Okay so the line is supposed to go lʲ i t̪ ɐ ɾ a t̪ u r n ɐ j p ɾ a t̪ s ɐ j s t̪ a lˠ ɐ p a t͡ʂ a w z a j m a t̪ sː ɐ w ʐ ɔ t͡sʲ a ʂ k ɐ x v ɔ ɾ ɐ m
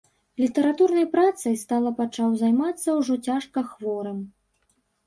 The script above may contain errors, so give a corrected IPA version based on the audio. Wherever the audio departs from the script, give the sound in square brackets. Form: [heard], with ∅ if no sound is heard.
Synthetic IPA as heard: lʲ i t̪ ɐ ɾ a t̪ u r n ɐ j p ɾ a t̪ s ɐ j s t̪ a lˠ ɐ p a t͡ʂ a w z a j m a t̪ sː ɐ w ʐ ɔ t͡sʲ a ʂ k ɐ x v ɔ ɾ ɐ m